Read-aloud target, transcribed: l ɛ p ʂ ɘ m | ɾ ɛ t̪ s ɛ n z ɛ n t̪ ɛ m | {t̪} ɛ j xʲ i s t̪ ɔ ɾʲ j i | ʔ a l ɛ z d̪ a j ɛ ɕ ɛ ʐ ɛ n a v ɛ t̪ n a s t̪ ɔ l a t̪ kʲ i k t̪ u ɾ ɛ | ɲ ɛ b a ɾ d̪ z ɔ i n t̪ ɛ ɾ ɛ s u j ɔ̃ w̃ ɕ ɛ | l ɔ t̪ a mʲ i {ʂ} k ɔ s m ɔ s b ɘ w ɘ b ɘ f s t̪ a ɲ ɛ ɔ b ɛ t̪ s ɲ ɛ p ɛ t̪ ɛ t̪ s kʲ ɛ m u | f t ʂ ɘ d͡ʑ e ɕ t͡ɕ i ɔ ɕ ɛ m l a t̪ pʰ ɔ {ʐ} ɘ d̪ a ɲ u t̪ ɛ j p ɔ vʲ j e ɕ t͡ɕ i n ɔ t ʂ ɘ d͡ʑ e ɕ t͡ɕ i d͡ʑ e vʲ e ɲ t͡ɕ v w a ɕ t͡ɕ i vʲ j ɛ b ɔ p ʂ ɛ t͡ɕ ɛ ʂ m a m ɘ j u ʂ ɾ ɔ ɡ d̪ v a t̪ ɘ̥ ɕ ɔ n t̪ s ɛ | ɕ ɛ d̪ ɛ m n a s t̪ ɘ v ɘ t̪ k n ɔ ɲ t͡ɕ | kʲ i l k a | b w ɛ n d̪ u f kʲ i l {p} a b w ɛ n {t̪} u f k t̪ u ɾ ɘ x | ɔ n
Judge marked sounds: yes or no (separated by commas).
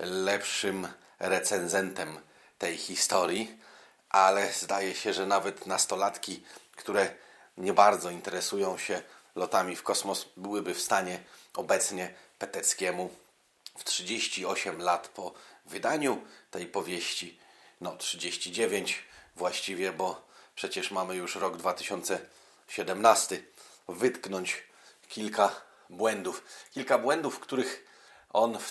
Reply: yes, no, no, no, no